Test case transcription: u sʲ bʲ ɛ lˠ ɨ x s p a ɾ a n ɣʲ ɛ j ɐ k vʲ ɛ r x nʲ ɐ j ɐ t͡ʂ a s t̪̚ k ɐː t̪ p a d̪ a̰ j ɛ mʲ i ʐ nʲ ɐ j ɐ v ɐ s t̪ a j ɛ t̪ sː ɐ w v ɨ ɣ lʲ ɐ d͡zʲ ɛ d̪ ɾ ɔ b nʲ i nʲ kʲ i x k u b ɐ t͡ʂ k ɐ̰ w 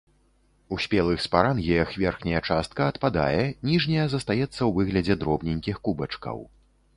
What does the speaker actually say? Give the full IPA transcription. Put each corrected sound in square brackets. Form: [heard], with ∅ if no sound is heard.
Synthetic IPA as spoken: u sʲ [pʲ] ɛ lˠ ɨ x s p a ɾ a n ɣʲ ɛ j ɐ [x] vʲ ɛ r x nʲ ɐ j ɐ t͡ʂ a s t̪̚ k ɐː t̪ p a d̪ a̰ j ɛ [nʲ] i ʐ nʲ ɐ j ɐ [z] ɐ s t̪ a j ɛ t̪ sː ɐ w v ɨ ɣ lʲ ɐ d͡zʲ ɛ d̪ ɾ ɔ b nʲ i nʲ kʲ i x k u b ɐ t͡ʂ k ɐ̰ w